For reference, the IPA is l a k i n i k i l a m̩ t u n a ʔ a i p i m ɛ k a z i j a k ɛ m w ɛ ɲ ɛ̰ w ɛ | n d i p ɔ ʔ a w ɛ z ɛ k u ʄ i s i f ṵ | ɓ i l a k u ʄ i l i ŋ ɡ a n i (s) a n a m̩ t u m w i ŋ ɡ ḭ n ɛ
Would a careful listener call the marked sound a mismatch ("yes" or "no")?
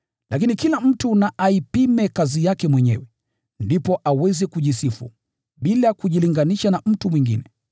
yes